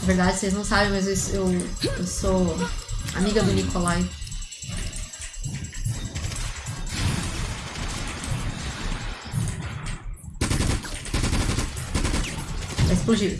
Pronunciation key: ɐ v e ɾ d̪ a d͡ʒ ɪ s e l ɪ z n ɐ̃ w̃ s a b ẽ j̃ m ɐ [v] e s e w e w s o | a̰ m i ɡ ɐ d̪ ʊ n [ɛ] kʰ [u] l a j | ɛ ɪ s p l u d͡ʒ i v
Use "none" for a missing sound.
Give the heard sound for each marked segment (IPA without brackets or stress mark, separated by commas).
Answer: z, i, o